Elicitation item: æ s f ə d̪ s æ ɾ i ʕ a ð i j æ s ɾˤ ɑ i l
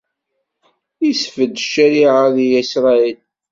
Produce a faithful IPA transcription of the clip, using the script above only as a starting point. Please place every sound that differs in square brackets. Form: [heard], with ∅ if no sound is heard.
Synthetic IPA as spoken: [i] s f ə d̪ [ʃ] æ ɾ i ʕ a ð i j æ s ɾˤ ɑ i l

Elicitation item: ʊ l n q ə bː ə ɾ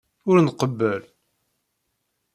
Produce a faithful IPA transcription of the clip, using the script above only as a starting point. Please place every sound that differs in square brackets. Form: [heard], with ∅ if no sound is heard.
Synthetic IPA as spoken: ʊ [ɾ] n q ə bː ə [l]

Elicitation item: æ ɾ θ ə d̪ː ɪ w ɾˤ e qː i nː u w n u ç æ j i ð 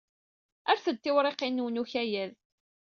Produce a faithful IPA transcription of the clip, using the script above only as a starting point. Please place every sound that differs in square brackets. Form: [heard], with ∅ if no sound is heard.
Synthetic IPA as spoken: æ ɾ θ ə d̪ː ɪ w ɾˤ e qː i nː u w n u ç æ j [æ] ð

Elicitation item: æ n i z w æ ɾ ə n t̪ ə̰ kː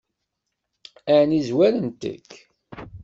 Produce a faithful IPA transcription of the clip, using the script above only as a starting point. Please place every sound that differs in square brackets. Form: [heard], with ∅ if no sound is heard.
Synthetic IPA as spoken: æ n i z w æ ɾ ə n t̪ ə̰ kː

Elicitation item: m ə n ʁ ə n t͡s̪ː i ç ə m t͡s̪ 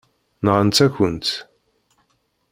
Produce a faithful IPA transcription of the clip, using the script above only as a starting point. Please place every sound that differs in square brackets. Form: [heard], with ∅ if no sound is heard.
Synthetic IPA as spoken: [n] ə [∅] ʁ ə n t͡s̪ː [æ] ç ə [n] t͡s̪

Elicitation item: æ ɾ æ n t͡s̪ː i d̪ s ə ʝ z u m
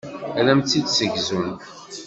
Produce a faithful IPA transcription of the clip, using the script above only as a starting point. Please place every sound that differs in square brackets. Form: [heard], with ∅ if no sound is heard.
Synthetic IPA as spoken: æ [l] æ [m] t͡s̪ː i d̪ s ə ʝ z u [n]

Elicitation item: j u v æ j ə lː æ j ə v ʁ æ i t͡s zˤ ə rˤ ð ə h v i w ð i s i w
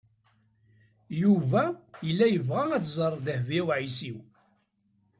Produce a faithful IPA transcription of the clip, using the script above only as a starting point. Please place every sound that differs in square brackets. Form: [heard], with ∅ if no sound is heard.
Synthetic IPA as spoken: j u v æ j ə lː æ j ə v ʁ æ [æ] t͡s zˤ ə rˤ ð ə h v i w [ʕ] i s i w

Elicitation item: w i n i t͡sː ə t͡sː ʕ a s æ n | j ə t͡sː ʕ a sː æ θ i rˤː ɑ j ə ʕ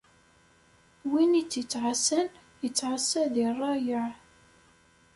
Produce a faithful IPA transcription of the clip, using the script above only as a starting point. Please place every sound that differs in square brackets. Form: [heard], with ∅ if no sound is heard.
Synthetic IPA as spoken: w i n i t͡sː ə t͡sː ʕ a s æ n | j ə t͡sː ʕ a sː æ [ð] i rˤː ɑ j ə ʕ

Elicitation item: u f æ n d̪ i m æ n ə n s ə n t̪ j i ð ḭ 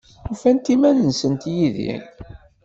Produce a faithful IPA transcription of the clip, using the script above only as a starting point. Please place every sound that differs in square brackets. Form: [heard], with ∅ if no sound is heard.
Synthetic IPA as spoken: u f æ n [t̪] i m æ n ə n s ə n t̪ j i ð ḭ

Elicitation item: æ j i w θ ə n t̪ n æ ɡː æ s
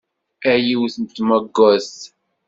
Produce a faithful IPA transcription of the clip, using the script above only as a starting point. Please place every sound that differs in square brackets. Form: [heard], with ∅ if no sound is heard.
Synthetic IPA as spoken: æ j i w θ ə n t̪ [m] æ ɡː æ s

